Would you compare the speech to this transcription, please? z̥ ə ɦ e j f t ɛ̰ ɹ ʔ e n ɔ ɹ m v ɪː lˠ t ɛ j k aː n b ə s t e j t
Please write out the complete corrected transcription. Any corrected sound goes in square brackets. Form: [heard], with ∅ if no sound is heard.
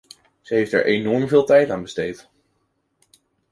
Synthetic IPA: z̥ ə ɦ e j f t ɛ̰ ɹ ʔ e n ɔ ɹ m v ɪː lˠ t ɛ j [t] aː n b ə s t e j t

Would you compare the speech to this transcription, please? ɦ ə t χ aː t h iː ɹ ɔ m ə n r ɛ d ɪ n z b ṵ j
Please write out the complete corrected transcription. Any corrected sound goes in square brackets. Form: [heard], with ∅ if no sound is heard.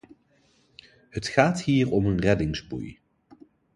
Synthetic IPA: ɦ ə t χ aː t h iː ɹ ɔ m ə n r ɛ d ɪ [ŋ] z b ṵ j

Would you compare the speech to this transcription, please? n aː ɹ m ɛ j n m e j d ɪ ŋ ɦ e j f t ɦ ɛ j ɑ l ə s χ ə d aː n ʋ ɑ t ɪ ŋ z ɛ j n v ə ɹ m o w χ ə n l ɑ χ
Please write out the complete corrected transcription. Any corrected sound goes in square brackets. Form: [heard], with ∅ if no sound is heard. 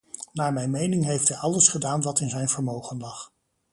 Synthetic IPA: n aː ɹ m ɛ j n m e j [n] ɪ ŋ ɦ e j f t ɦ ɛ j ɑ l ə s χ ə d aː n ʋ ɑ t ɪ [n] z ɛ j n v ə ɹ m o w χ ə n l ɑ χ

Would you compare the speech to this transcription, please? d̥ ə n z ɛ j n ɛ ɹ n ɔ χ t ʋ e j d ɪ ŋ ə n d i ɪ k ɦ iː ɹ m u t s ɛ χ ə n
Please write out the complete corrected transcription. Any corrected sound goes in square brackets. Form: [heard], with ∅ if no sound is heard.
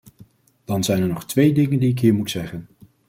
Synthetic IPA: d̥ [ɑ] n z ɛ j n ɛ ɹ n ɔ χ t ʋ e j d ɪ ŋ ə n d i ɪ k ɦ iː ɹ m u t s ɛ χ ə n

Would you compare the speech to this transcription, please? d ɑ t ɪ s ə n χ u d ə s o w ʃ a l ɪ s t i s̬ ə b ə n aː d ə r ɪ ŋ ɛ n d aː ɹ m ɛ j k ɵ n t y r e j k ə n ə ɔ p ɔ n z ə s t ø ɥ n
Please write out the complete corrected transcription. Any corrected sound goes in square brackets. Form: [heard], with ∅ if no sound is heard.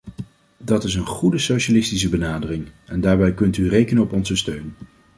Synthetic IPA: d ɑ t ɪ s ə n χ u d ə s o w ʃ a l ɪ s t i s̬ ə b ə n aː d ə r ɪ ŋ ɛ n d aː ɹ [b] ɛ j k ɵ n t y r e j k ə n ə ɔ p ɔ n z ə s t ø ɥ n

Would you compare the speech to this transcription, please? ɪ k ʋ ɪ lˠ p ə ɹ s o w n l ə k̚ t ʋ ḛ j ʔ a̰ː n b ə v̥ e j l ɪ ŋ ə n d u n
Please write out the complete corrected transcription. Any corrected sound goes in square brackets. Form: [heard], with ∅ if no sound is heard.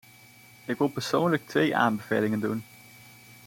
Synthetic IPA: ɪ k ʋ ɪ lˠ p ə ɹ s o w n l ə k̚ t ʋ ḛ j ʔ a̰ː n b ə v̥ e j l ɪ ŋ ə n d u n

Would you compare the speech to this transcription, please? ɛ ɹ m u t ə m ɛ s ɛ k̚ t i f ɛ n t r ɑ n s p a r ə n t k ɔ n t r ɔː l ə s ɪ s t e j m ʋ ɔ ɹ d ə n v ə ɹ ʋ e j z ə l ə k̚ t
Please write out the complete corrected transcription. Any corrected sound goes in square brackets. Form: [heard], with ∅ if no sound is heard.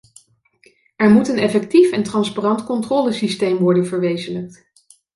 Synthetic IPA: ɛ ɹ m u t ə [n] ɛ [f] ɛ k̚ t i f ɛ n t r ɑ n s p a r [ɑ] n t k ɔ n t r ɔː l ə s [i] s t e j m ʋ ɔ ɹ d ə n v ə ɹ ʋ e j z ə l ə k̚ t

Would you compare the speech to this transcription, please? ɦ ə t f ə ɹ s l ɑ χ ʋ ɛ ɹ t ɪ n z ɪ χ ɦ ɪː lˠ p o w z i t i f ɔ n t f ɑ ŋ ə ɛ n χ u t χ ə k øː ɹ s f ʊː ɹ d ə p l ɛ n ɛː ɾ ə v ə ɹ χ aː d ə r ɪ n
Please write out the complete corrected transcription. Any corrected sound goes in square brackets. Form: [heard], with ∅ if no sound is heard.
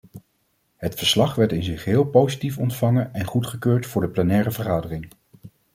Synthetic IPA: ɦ ə t f ə ɹ s l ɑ χ ʋ ɛ ɹ t ɪ n z ɪ χ ɦ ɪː lˠ p o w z i t i f ɔ n t f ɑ ŋ ə ɛ n χ u t χ ə k øː ɹ [t] f ʊː ɹ d ə p l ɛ n ɛː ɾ ə v ə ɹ χ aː d ə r ɪ [ŋ]

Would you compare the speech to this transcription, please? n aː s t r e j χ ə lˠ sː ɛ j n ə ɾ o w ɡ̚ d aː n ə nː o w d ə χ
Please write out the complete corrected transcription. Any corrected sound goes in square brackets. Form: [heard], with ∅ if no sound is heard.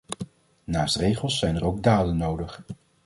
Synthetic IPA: n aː s t r e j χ ə lˠ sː ɛ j n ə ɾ o w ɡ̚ d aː [d] ə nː o w d ə χ

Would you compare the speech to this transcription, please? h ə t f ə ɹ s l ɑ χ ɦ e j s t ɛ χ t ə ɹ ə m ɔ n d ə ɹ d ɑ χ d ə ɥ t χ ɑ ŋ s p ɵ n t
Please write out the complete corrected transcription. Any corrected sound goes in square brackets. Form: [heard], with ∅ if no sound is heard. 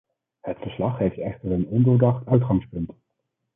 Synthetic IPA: h ə t f ə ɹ s l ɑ χ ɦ e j [f] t ɛ χ t ə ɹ ə [n] ɔ n d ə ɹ d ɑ χ [t] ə ɥ t χ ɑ ŋ s p ɵ n t

